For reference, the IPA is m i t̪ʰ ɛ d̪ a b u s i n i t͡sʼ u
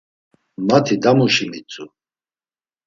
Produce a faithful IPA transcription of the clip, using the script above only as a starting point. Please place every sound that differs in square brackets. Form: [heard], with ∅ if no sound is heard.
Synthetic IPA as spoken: m [a] t̪ʰ [i] d̪ a [m] u [ʃ] i [m] i t͡sʼ u